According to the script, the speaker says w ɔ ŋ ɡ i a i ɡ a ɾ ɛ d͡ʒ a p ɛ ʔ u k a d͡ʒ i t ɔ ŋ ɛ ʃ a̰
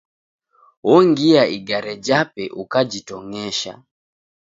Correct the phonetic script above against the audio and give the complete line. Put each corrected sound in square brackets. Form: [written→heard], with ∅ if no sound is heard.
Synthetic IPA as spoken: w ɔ ŋ ɡ i a i ɡ a ɾ ɛ d͡ʒ a p ɛ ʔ u k a d͡ʒ i t ɔ ŋ ɛ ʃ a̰